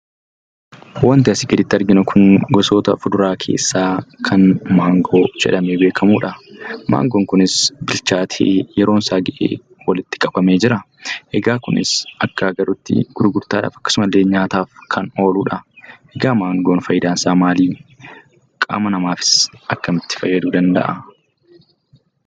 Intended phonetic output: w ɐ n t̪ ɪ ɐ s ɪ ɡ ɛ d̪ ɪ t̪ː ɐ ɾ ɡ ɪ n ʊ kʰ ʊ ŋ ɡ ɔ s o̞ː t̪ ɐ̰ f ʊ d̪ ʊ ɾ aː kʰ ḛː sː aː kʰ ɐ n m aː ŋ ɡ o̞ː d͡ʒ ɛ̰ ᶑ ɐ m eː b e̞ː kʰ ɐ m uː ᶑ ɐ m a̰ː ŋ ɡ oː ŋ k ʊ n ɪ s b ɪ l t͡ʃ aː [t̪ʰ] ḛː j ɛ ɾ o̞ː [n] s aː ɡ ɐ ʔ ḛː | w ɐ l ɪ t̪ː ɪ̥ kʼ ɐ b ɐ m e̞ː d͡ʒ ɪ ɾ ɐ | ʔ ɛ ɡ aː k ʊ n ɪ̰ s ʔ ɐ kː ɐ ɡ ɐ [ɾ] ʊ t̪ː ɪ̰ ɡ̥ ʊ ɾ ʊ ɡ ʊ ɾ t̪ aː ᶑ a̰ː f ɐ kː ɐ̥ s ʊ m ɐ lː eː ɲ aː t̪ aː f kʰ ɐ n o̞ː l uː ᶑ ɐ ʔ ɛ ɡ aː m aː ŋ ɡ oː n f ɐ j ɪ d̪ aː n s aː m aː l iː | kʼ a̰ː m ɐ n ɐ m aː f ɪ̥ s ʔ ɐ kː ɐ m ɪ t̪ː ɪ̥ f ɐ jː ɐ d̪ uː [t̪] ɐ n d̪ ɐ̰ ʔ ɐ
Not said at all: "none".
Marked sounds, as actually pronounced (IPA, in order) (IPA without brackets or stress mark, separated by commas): t̪ʰ, n, ɾ, d̪